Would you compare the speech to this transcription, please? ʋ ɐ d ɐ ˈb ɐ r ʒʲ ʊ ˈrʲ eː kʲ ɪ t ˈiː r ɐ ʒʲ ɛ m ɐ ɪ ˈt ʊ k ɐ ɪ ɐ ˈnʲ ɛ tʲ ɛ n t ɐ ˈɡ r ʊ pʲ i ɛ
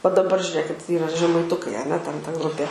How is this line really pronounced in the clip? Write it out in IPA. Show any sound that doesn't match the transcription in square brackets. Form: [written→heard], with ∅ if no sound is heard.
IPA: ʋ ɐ d ɐ ˈb ɐ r ʒʲ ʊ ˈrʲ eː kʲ ɪ t ˈiː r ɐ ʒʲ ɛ m ɐ ɪ ˈt ʊ k ɐ ɪ ɐ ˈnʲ ɛ tʲ ɛ n t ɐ ˈɡ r ʊ pʲ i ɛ